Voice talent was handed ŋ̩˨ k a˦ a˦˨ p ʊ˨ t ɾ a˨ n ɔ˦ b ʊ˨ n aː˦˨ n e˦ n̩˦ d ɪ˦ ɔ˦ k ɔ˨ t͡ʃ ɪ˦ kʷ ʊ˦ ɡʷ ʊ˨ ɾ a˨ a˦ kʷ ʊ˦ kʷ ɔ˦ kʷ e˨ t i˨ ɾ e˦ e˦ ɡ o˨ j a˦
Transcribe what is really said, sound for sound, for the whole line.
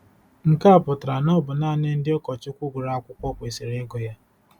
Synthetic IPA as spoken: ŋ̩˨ k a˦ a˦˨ p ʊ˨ t ɾ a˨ n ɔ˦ b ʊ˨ n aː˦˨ n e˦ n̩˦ d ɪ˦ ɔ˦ k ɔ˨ t͡ʃ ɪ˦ kʷ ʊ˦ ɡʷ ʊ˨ ɾ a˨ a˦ kʷ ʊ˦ kʷ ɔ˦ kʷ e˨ s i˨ ɾ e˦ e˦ ɡ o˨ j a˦